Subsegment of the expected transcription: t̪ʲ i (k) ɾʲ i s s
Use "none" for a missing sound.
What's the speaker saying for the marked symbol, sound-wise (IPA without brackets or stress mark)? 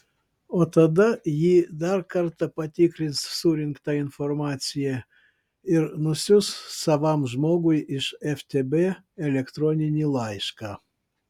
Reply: k